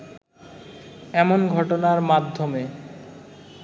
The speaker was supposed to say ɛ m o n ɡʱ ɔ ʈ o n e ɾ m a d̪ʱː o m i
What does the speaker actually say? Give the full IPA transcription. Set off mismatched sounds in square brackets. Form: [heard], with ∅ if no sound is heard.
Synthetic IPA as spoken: ɛ m o n ɡʱ ɔ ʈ o n [a] ɾ m a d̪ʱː o m [e]